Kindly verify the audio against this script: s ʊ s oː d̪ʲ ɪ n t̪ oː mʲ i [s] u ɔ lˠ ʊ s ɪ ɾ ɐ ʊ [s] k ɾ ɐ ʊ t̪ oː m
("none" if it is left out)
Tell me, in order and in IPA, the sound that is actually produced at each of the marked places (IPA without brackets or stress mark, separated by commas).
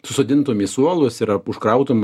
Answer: s, ʃ